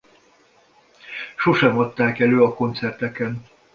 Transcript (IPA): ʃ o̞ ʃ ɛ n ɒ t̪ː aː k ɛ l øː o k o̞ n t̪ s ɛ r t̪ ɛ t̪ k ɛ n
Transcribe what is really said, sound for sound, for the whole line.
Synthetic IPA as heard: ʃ o̞ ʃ ɛ m ɒ t̪ː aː k ɛ l øː ɒ k o̞ n t̪ s ɛ r t̪ ɛ k ɛ n